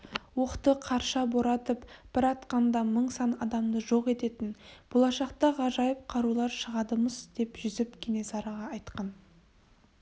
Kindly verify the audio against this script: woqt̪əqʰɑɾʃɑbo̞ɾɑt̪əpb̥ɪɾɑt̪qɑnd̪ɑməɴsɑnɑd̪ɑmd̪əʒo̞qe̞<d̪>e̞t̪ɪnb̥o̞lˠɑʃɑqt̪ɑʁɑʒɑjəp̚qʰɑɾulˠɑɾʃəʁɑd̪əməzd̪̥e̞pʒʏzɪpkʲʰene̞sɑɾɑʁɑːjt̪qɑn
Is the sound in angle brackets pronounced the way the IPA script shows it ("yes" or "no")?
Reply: no